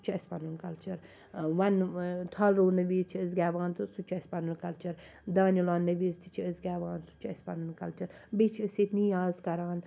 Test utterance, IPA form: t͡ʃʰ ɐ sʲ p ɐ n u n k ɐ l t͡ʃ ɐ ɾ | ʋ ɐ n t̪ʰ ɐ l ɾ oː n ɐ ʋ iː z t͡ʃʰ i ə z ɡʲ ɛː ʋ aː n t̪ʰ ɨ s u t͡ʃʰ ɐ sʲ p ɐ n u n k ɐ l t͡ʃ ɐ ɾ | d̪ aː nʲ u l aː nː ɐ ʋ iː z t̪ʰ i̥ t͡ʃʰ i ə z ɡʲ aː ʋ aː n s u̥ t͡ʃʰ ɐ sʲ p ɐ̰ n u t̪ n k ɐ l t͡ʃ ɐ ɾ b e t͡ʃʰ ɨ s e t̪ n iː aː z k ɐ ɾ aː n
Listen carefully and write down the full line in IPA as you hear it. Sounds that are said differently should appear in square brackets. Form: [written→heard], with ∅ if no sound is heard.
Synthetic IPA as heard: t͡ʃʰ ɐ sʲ p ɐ n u n k ɐ l t͡ʃ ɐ ɾ | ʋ ɐ n t̪ʰ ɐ l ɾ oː n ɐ ʋ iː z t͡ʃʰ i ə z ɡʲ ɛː ʋ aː n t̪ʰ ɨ s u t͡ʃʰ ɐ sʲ p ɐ n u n k ɐ l t͡ʃ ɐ ɾ | d̪ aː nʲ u l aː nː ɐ ʋ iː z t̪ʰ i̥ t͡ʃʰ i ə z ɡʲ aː ʋ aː n s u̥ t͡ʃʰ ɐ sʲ p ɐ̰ n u [t̪→∅] n k ɐ l t͡ʃ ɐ ɾ b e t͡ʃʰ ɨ s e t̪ n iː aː z k ɐ ɾ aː n